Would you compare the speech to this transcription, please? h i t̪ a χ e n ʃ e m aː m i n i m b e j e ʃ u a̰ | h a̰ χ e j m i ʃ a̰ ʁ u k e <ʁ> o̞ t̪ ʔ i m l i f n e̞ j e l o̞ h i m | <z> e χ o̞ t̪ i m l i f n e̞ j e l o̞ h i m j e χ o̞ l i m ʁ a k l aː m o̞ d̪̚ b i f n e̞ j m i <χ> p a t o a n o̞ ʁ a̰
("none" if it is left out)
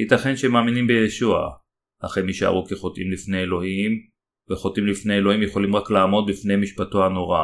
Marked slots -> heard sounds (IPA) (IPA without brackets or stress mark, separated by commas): χ, v, ʃ